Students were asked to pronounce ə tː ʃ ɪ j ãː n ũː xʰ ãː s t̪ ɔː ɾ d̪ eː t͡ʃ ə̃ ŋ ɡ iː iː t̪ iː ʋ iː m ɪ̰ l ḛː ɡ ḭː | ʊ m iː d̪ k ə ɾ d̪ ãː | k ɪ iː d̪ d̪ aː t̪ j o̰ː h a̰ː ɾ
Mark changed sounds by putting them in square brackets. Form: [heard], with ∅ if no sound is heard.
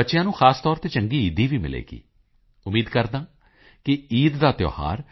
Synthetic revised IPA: ə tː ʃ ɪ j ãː n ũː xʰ [aː] s t̪ ɔː ɾ [t̪] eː t͡ʃ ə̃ ŋ ɡ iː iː [d̪] iː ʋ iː m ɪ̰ l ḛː ɡ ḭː | ʊ m iː d̪ k ə ɾ d̪ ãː | k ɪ iː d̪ d̪ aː t̪ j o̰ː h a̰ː ɾ